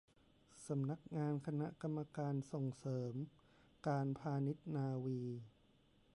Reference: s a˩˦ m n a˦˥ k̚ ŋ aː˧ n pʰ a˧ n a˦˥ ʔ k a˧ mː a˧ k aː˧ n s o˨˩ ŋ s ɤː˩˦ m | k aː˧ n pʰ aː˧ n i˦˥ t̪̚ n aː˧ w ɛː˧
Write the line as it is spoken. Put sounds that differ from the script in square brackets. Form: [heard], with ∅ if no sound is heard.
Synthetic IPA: s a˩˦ m n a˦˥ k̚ ŋ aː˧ n [kʰ] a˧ n a˦˥ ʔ k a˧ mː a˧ k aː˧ n s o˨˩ ŋ s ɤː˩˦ m | k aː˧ n pʰ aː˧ n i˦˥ t̪̚ n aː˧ w [iː˧]